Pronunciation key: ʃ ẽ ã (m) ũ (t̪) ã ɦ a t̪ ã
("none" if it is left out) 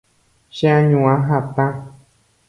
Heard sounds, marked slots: ɲ, none

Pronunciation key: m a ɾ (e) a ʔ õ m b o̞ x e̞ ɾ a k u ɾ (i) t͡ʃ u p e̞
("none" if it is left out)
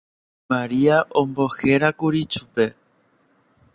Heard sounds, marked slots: i, i

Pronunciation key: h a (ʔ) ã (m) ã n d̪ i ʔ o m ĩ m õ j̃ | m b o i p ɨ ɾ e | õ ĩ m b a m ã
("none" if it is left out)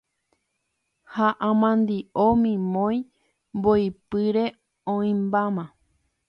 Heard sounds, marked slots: ʔ, m

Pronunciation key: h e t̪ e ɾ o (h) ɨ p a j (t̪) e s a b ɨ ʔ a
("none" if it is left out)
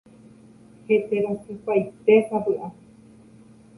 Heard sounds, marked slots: s, t̪

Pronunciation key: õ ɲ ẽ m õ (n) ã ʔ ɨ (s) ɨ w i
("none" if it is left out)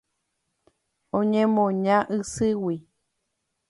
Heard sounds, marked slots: ɲ, s

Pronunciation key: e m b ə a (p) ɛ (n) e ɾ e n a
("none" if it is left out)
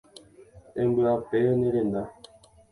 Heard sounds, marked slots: p, n

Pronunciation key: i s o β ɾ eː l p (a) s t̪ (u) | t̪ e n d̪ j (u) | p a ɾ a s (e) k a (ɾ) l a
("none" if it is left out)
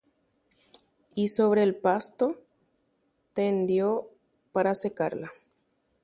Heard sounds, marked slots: a, o, o, e, ɾ

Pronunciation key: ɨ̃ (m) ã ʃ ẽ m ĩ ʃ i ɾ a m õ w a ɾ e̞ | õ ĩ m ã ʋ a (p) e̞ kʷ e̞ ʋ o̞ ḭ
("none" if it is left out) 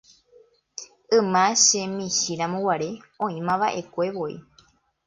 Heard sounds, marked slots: m, ʔ

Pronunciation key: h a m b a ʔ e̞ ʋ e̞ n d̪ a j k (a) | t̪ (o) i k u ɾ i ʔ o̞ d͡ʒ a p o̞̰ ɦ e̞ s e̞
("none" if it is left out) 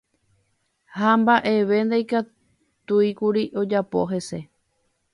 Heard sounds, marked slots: a, u

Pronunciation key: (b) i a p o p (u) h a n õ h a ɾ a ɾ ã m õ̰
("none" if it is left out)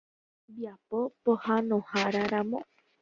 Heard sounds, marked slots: b, o

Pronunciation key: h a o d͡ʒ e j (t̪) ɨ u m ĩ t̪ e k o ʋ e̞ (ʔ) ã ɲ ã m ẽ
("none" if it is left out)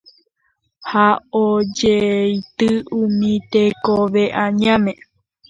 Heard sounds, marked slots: t̪, ʔ

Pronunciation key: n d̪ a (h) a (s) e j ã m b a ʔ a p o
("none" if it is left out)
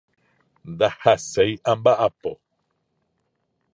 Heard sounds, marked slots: h, s

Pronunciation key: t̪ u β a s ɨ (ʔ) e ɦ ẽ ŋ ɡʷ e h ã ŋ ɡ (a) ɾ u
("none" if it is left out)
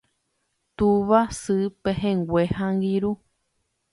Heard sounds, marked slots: p, i

